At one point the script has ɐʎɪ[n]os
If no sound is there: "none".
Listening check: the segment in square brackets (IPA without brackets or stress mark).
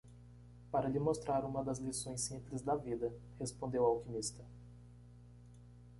m